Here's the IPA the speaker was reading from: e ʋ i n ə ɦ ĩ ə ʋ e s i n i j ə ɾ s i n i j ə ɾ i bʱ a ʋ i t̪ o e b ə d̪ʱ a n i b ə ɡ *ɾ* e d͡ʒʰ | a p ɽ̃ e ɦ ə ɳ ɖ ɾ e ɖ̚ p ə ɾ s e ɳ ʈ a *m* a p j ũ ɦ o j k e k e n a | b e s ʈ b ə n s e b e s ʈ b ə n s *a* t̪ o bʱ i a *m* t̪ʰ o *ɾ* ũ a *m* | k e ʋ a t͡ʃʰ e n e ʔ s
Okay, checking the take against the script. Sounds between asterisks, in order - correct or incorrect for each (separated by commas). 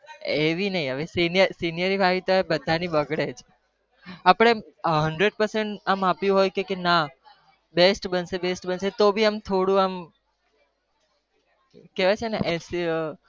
incorrect, correct, incorrect, correct, incorrect, correct